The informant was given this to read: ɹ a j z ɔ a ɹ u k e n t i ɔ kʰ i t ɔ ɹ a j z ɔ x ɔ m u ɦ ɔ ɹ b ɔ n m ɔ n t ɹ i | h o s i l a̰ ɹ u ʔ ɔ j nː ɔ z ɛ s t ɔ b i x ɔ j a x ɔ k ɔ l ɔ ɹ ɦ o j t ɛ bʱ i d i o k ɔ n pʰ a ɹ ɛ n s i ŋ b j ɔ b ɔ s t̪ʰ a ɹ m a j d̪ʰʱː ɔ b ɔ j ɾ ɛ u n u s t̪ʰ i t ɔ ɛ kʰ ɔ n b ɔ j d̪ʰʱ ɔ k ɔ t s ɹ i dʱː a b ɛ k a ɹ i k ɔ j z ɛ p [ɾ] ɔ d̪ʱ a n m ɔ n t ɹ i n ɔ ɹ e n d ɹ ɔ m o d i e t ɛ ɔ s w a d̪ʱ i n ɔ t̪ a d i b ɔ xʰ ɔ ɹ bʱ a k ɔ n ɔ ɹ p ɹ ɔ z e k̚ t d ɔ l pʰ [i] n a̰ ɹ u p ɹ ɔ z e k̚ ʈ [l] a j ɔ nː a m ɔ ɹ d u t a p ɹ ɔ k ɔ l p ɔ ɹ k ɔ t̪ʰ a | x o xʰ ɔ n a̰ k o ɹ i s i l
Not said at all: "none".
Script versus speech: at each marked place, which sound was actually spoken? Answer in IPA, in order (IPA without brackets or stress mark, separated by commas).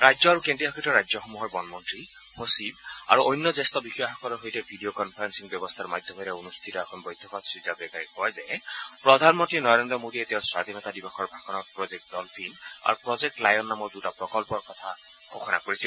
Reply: ɹ, i, l